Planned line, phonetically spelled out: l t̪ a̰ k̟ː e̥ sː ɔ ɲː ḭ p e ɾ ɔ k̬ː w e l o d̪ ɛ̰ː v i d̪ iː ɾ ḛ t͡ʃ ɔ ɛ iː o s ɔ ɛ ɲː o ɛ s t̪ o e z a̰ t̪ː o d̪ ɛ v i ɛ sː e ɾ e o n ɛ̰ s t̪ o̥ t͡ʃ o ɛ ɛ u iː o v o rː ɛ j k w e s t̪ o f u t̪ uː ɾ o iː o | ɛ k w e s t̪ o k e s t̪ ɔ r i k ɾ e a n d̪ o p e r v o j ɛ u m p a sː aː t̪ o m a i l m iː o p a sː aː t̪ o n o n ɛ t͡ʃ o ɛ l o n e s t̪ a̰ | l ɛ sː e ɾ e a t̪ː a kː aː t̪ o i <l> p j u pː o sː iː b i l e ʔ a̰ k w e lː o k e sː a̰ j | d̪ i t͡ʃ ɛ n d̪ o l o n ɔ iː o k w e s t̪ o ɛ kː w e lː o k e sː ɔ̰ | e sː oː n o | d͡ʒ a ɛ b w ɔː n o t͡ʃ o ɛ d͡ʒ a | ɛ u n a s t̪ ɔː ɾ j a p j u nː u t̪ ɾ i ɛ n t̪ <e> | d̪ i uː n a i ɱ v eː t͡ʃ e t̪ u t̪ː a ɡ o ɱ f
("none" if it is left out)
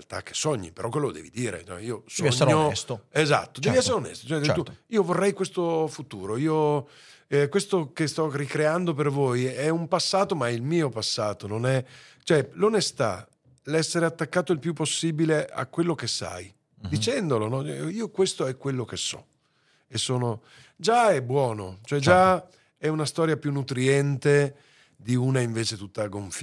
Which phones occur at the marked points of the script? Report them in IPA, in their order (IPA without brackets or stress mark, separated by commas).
l, e